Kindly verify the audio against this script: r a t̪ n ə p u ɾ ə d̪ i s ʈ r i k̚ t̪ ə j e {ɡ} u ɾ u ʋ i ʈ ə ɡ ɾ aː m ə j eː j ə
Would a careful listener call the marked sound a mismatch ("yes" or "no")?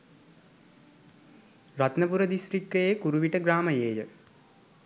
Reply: yes